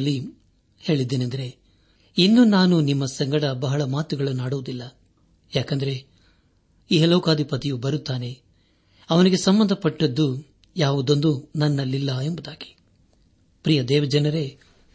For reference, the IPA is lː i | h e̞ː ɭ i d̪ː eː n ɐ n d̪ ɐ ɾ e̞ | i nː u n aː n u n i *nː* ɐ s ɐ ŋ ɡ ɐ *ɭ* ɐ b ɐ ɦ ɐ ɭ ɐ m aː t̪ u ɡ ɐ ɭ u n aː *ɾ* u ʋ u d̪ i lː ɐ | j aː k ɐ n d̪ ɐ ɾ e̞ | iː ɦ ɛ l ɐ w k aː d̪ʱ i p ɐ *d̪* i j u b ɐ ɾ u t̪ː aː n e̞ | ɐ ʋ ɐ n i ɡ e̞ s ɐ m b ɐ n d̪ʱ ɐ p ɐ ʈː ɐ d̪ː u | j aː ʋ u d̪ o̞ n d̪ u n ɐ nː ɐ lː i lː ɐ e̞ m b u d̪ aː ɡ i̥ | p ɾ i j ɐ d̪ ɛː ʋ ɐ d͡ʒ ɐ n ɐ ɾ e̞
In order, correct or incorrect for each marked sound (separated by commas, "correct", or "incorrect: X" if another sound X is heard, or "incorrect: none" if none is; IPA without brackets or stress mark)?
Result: incorrect: mː, incorrect: ɽ, incorrect: ɽ, incorrect: t̪